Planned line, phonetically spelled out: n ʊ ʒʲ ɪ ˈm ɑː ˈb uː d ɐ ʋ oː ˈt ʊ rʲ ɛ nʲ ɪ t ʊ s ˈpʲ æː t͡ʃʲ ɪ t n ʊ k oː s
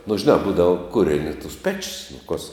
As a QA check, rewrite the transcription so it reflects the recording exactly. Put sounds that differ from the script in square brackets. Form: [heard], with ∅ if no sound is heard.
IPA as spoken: n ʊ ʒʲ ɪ [ˈn] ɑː ˈb uː d ɐ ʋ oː [ˈk] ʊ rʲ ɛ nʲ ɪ t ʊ s ˈpʲ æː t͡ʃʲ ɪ [s] n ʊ k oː s